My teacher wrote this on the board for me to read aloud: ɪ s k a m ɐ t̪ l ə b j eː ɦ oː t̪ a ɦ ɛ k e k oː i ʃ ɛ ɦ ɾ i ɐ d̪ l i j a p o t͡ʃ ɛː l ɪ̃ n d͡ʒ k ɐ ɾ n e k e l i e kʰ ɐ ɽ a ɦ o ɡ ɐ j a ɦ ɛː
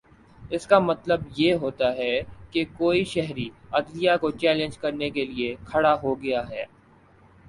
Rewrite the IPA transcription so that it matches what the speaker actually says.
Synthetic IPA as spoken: ɪ s k a m ɐ t̪ l ə b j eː ɦ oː t̪ a ɦ ɛ k e k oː i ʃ ɛ ɦ ɾ i ɐ d̪ l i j a k o t͡ʃ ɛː l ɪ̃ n d͡ʒ k ɐ ɾ n e k e l i e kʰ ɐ ɽ a ɦ o ɡ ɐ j a ɦ ɛː